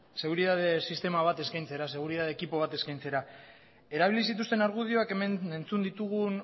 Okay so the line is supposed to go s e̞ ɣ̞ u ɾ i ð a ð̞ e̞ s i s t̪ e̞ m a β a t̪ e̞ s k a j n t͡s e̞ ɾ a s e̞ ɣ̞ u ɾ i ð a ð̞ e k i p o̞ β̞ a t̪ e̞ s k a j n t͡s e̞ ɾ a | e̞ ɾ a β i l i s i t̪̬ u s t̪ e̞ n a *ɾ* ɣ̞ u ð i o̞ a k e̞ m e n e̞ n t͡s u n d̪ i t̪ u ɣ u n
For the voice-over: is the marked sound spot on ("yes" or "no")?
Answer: yes